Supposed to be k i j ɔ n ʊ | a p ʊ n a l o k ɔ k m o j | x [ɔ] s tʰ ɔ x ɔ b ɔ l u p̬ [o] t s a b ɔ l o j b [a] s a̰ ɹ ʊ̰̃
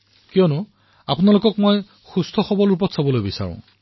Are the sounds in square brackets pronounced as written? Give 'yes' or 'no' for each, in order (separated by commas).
no, no, no